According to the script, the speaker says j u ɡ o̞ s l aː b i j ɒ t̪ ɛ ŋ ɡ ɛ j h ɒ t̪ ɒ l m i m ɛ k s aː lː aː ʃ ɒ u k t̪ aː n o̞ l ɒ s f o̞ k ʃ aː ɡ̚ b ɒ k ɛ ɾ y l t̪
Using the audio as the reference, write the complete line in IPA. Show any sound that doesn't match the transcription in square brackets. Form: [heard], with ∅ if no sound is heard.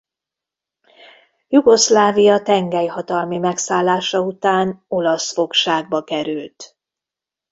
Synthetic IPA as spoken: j u ɡ o̞ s l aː [v] i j ɒ t̪ ɛ ŋ ɡ ɛ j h ɒ t̪ ɒ l m i m ɛ k s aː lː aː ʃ ɒ u [∅] t̪ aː n o̞ l ɒ s f o̞ k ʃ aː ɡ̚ b ɒ k ɛ ɾ y l t̪